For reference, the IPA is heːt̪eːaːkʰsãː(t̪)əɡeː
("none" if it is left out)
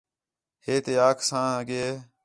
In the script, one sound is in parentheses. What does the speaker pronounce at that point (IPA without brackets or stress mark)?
none